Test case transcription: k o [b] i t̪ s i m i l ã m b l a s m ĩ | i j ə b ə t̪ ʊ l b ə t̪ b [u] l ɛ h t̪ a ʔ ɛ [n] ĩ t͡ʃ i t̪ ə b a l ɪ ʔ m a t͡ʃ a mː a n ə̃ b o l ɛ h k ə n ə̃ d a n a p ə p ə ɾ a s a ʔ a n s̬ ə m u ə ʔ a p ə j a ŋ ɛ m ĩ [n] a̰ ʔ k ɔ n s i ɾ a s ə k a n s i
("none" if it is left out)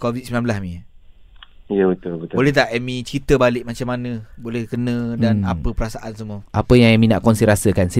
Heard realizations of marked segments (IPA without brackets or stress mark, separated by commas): v, o, m, n